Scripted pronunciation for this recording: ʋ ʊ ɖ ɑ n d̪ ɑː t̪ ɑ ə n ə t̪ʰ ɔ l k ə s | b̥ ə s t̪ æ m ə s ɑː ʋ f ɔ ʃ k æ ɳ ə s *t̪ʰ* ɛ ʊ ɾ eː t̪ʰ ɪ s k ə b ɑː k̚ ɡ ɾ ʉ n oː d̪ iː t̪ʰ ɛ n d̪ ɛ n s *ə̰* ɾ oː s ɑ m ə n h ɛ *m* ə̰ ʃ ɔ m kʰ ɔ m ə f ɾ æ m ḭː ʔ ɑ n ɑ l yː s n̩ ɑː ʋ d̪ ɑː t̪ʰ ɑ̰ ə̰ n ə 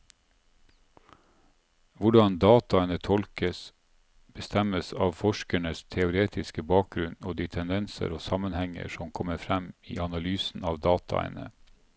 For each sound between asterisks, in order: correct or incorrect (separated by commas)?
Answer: correct, correct, incorrect